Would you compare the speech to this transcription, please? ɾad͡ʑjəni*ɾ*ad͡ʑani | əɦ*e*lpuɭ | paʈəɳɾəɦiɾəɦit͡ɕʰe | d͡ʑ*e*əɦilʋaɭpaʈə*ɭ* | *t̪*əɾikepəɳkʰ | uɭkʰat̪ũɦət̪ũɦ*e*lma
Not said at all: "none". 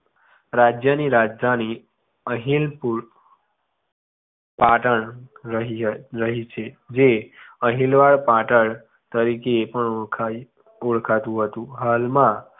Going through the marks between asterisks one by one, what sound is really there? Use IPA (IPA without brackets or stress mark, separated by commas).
ɾ, i, e, ɭ, t̪, a